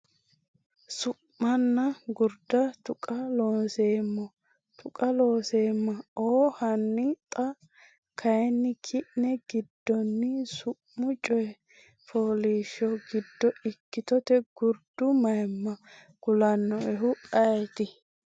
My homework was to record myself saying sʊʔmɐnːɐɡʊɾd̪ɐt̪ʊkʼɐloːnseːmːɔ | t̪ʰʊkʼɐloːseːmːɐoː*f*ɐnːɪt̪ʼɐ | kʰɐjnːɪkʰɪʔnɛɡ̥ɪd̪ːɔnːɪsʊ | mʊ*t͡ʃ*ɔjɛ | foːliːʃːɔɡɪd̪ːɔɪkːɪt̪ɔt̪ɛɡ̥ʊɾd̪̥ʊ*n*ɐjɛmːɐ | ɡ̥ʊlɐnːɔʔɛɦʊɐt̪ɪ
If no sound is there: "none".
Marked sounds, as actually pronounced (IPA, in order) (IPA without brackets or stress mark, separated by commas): h, t͡ʃʼ, m